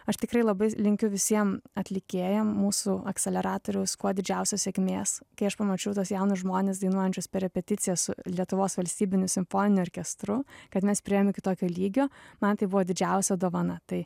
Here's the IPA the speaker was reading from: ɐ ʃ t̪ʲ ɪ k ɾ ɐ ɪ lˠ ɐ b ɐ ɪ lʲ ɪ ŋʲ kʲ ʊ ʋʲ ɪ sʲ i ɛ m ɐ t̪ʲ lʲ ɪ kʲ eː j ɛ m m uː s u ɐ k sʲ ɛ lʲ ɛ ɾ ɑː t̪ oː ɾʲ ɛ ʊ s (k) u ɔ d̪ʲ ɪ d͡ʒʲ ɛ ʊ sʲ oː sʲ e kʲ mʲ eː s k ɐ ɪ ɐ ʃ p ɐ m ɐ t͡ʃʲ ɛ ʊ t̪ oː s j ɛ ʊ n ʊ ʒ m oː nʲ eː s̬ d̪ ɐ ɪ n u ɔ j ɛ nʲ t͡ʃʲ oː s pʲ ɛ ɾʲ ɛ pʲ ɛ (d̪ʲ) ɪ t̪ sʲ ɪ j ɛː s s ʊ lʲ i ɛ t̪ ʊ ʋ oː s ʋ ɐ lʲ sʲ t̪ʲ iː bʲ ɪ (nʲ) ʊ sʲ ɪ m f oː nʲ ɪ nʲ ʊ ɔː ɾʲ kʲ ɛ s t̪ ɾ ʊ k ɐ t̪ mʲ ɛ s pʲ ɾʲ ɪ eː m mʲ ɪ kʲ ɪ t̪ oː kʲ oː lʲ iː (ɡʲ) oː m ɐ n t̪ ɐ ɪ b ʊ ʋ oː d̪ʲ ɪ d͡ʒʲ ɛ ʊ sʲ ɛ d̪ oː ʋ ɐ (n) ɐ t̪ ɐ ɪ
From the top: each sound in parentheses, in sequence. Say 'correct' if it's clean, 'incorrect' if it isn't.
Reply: correct, incorrect, correct, correct, correct

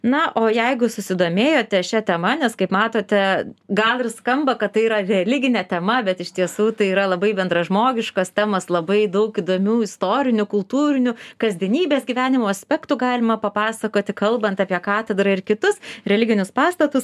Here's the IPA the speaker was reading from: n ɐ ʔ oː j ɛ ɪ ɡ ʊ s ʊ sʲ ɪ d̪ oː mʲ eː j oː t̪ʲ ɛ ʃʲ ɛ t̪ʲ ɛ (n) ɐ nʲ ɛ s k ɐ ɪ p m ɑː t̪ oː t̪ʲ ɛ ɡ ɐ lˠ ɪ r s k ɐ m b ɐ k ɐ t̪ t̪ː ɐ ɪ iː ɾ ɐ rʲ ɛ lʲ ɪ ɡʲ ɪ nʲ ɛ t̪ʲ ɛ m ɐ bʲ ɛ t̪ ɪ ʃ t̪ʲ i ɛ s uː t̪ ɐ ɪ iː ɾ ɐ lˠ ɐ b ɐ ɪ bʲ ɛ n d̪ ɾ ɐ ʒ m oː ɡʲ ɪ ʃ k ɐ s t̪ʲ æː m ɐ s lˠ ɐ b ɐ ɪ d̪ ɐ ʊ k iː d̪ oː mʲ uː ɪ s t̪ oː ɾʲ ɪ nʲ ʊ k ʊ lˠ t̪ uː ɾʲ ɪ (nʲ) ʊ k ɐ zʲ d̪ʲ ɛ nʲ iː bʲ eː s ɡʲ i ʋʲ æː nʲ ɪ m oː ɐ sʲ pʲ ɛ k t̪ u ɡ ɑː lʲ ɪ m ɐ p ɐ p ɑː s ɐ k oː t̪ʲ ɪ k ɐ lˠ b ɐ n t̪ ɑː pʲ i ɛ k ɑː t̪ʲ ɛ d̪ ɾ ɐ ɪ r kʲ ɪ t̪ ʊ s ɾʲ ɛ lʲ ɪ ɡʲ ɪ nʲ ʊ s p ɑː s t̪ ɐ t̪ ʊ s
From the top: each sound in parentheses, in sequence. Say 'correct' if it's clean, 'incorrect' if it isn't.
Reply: incorrect, correct

